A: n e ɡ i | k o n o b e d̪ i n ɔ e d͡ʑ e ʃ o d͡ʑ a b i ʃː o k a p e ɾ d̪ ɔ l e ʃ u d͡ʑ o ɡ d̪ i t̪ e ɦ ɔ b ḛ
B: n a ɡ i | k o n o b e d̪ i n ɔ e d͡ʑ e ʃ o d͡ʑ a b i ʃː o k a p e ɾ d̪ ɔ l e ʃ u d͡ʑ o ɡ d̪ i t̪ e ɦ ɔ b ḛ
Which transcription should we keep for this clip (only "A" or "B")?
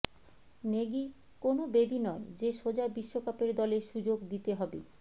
A